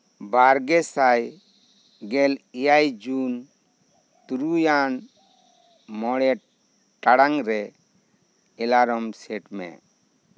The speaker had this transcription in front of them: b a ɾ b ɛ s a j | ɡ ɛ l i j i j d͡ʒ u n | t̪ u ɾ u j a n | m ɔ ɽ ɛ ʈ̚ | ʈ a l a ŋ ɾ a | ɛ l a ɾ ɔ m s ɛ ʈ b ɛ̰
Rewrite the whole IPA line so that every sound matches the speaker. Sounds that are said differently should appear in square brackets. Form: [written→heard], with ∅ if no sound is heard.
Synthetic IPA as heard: b a ɾ [b→ɡ] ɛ s a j | ɡ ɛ l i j [i→a] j d͡ʒ u n | t̪ u ɾ u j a n | m ɔ ɽ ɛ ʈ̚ | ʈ a [l→ɽ] a ŋ ɾ [a→ɛ] | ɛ l a ɾ ɔ m s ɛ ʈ [b→m] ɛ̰